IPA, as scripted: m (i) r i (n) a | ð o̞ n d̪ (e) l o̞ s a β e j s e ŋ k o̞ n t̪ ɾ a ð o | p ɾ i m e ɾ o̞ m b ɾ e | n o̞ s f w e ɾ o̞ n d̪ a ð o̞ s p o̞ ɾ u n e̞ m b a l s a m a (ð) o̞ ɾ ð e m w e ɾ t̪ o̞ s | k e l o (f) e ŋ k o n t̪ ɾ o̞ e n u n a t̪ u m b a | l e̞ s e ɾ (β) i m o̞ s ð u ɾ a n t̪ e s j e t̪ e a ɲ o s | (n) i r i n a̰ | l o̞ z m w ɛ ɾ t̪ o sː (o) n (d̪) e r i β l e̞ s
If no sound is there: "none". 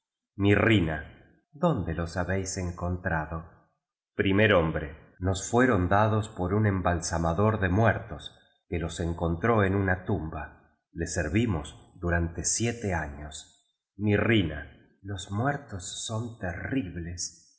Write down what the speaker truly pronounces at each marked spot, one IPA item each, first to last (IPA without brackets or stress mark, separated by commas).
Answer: i, n, e, ð, s, β, m, o, t̪